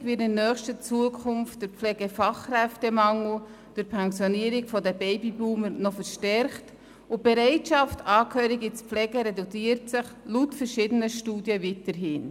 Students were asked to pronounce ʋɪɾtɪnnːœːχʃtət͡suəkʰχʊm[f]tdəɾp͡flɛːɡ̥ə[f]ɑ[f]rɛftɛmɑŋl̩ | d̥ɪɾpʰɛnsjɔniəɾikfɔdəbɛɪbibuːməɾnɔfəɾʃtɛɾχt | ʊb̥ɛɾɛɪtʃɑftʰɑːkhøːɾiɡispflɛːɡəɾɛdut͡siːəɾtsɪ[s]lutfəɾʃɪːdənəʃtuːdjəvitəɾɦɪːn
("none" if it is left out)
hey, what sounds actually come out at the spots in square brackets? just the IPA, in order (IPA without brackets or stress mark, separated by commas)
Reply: f, f, χ, χ